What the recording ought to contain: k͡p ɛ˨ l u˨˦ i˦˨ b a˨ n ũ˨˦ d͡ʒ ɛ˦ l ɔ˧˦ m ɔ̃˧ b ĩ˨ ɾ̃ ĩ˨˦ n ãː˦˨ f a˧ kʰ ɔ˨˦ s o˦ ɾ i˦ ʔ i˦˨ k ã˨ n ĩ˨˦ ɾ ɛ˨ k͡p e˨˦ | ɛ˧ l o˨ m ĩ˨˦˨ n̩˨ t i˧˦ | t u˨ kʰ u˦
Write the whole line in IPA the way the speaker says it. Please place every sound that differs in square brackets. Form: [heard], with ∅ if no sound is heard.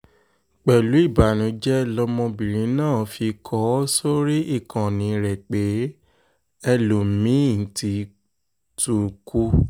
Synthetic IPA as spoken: k͡p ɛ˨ l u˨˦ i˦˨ b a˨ n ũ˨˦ d͡ʒ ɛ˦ l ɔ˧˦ m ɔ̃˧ b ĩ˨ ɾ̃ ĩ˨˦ n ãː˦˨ f [i˧] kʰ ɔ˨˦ s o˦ ɾ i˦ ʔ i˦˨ k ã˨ n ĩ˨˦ ɾ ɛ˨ k͡p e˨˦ | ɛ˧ l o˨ m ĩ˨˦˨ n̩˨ t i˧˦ | t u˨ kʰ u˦